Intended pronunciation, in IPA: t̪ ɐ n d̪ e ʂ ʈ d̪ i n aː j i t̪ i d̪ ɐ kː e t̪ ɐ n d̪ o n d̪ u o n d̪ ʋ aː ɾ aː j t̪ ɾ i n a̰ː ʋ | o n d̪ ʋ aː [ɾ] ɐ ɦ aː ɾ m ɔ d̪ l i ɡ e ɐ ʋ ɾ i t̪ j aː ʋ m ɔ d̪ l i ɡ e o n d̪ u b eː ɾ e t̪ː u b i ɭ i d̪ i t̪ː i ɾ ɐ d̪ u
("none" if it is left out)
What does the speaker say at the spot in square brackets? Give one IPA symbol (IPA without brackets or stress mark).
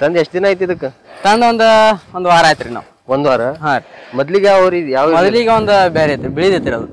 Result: ɾ